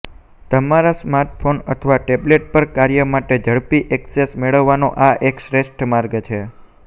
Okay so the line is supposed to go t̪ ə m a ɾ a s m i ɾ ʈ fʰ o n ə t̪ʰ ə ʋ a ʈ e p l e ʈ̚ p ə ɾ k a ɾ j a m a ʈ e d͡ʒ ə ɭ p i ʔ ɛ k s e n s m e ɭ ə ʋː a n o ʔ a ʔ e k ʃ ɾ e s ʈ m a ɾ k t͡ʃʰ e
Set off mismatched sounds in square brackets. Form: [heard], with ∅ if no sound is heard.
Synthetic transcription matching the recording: t̪ ə m a ɾ a s m [a] ɾ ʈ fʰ o n ə t̪ʰ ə ʋ a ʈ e [b] l e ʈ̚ p ə ɾ k a ɾ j [ə] m a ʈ e d͡ʒ ə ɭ p i ʔ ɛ k s e [∅] s m e ɭ ə ʋː a n o ʔ a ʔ e k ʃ ɾ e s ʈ m a ɾ [ɡ] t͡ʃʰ e